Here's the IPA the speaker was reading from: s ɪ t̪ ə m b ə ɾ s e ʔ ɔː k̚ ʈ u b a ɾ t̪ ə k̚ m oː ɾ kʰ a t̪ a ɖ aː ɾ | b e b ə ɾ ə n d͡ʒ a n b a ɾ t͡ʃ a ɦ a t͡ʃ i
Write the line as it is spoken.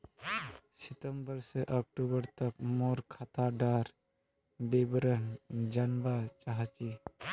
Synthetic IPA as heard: s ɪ t̪ ə m b ə ɾ s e ʔ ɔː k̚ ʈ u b ə ɾ t̪ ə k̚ m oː ɾ kʰ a t̪ a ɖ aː ɾ | b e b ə ɾ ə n d͡ʒ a n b a t͡ʃ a ɦ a t͡ʃ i